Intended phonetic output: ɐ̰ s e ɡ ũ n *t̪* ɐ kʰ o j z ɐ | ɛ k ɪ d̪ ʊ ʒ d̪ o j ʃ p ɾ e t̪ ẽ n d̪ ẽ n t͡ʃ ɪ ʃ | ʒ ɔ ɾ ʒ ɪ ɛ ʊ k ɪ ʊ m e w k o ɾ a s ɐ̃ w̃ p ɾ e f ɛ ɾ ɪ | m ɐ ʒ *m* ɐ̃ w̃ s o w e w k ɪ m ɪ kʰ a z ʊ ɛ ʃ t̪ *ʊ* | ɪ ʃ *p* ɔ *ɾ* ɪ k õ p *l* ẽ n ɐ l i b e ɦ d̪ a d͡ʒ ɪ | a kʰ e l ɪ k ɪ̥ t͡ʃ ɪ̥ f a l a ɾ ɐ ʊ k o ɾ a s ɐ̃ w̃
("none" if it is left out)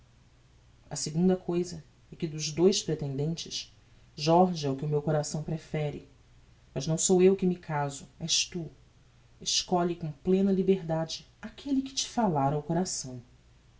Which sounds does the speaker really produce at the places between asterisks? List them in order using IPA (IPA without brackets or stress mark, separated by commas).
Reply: d̪, n, u, k, ʎ, l